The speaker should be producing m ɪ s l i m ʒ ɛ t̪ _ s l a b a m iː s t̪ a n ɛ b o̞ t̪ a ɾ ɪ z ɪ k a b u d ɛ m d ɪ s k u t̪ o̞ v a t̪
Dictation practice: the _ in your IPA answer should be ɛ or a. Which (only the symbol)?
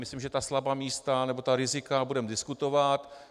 a